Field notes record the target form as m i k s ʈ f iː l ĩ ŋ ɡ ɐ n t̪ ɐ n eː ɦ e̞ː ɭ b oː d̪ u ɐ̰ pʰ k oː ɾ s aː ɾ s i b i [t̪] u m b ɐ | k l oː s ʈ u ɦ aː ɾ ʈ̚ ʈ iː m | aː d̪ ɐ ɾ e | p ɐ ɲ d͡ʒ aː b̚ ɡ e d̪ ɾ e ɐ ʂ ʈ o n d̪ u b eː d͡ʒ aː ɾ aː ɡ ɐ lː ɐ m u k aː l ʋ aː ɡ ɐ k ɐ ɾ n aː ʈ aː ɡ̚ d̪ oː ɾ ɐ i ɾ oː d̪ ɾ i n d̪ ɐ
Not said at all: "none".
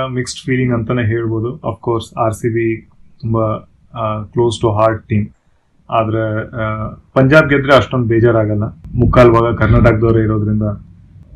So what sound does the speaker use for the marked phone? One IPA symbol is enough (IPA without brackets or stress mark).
t̪